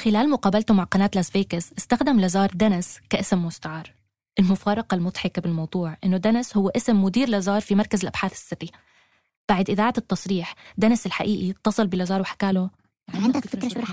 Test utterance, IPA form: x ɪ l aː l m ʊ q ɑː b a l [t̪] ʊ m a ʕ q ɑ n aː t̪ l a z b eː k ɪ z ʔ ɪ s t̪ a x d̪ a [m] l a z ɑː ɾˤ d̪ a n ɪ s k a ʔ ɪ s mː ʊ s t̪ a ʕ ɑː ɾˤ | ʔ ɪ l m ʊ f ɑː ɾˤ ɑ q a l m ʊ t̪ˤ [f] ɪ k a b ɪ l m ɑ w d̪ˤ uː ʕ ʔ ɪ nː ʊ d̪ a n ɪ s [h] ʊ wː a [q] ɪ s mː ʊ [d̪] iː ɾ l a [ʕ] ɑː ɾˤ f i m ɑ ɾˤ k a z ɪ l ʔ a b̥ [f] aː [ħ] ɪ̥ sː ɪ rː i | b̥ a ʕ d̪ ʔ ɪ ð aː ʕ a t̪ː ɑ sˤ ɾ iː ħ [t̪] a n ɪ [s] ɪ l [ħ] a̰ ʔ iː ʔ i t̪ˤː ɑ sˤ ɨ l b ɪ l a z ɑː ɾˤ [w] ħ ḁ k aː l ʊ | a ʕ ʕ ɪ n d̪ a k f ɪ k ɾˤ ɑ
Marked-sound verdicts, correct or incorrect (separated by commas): correct, correct, incorrect, correct, incorrect, correct, incorrect, incorrect, incorrect, incorrect, correct, correct, correct